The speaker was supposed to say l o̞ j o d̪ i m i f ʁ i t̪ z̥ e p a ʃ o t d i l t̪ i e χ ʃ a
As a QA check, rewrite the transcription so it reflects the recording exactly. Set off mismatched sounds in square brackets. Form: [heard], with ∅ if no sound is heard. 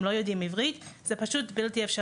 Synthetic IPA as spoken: l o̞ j o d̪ i m i [v] ʁ i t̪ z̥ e p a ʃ [u] t [b] i l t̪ i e [f] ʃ a